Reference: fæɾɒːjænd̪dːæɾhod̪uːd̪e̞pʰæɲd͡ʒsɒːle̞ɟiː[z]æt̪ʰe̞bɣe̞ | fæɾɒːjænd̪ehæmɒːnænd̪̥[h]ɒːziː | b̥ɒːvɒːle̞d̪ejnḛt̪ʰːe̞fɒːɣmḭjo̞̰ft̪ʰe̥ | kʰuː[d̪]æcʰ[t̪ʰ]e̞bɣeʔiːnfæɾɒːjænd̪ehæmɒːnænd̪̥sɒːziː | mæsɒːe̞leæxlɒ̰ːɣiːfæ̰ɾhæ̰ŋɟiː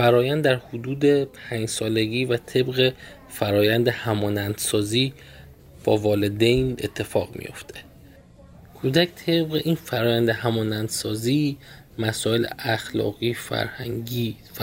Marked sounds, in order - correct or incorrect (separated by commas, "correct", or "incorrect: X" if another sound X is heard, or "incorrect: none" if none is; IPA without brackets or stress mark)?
incorrect: v, incorrect: s, correct, correct